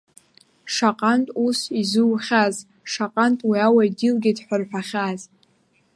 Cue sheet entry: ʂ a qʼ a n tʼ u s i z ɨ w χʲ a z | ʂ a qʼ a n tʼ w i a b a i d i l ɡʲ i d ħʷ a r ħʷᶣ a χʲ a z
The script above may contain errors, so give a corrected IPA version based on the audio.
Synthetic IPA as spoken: ʂ a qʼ a n tʼ u s i z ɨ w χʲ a z | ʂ a qʼ a n tʼ w i a w a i d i l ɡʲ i d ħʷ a r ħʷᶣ a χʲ a z